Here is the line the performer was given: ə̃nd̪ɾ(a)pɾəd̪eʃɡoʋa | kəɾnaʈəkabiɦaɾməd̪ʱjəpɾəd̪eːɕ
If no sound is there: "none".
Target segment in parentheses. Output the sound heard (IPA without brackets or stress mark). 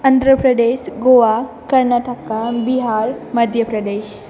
ə